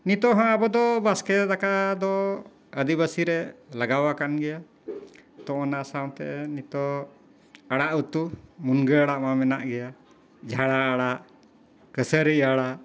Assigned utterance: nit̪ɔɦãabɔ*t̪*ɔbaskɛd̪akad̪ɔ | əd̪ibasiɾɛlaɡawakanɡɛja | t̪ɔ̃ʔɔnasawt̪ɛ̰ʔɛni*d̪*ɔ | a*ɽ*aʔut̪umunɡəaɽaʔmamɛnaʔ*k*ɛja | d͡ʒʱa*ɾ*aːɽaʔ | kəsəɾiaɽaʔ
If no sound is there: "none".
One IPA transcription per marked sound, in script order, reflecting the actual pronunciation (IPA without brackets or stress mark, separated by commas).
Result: d̪, t̪, ɽ, ɡ, ɽ